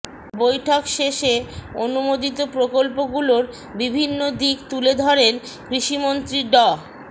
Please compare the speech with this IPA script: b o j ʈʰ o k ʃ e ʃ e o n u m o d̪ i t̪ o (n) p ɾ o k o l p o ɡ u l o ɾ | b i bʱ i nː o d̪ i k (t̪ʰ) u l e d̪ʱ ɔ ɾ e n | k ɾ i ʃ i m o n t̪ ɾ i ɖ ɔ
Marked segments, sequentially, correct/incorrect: incorrect, incorrect

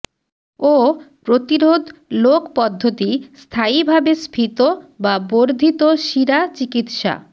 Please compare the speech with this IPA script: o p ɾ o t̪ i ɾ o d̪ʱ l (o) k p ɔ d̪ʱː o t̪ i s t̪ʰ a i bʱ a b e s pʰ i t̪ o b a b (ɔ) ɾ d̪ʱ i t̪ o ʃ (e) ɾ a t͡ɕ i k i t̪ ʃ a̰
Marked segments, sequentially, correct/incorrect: correct, incorrect, incorrect

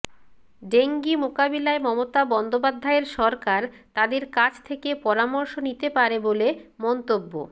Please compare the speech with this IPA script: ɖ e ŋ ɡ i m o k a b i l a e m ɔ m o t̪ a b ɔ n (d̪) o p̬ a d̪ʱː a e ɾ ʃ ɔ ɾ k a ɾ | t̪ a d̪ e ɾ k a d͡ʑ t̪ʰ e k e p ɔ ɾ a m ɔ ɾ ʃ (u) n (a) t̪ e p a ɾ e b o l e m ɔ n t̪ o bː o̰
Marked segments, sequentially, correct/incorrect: correct, incorrect, incorrect

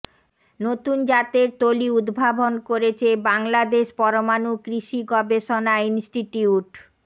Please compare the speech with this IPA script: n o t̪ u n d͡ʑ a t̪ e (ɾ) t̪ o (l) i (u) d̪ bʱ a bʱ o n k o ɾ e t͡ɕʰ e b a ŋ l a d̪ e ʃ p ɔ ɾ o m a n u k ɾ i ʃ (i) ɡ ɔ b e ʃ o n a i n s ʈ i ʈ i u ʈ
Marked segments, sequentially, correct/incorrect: correct, correct, correct, correct

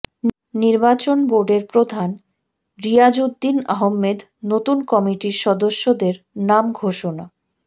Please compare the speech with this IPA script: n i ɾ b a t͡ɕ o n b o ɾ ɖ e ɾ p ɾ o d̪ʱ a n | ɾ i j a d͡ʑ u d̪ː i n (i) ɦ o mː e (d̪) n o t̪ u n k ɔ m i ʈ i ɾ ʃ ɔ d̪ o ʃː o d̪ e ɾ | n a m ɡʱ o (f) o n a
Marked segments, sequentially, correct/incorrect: incorrect, correct, incorrect

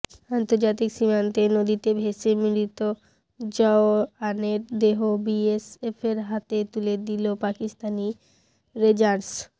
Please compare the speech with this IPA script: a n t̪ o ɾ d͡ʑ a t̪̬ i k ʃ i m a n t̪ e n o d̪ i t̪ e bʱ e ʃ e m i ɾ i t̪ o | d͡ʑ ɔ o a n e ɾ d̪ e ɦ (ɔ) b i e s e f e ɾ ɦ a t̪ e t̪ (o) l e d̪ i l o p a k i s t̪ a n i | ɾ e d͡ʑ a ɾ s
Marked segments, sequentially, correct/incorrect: incorrect, incorrect

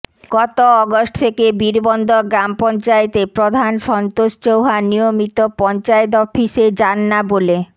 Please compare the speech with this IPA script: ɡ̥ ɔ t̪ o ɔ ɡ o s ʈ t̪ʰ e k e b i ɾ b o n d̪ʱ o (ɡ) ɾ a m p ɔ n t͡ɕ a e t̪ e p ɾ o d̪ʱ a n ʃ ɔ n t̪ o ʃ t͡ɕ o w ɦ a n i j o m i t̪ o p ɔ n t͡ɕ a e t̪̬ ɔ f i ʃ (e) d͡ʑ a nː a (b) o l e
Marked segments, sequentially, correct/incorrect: correct, correct, correct

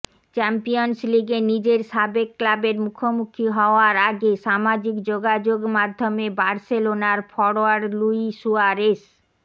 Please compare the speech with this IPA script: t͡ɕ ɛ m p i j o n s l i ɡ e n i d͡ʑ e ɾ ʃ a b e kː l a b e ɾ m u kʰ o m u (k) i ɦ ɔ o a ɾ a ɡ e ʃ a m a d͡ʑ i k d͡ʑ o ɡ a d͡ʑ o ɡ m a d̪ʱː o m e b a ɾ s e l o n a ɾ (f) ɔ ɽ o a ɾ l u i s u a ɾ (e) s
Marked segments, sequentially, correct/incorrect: incorrect, correct, correct

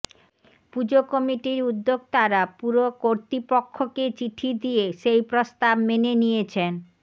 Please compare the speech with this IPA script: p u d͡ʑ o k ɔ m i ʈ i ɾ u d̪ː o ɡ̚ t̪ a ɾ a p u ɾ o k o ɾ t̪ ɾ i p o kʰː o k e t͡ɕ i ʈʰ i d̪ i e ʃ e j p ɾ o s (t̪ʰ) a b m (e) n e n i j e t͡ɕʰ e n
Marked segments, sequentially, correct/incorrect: incorrect, correct

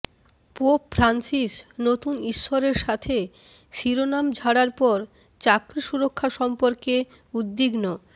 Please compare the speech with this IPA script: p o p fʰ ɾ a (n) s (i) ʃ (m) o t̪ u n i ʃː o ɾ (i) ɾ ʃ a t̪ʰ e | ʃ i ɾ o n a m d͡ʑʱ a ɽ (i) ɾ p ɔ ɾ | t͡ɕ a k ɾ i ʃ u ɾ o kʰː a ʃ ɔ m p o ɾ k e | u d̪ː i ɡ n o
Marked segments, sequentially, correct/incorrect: correct, correct, incorrect, incorrect, incorrect

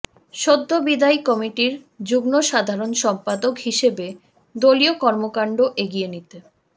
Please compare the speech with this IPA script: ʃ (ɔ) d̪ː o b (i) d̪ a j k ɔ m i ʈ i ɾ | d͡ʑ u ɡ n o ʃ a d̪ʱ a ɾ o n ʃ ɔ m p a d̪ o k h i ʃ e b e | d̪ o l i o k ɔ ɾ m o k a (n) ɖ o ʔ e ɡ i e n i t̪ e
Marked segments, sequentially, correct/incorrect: incorrect, correct, incorrect

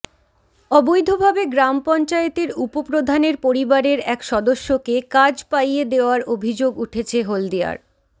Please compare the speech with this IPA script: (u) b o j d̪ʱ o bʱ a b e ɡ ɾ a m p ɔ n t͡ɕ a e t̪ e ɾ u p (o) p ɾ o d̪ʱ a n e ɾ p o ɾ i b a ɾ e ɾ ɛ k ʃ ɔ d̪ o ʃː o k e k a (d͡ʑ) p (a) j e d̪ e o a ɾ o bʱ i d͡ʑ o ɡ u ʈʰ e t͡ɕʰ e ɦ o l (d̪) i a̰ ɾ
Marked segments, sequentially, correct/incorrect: incorrect, correct, correct, correct, correct

